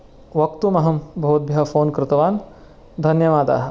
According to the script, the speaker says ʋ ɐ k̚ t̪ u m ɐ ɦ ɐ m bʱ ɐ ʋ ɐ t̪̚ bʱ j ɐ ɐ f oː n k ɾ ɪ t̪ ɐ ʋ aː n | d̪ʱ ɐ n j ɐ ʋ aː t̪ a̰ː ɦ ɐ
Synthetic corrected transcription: ʋ ɐ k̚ t̪ u m ɐ ɦ ɐ m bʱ ɐ ʋ ɐ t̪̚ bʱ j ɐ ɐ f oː n k ɾ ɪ t̪ ɐ ʋ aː n | d̪ʱ ɐ n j ɐ ʋ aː d̪ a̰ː ɦ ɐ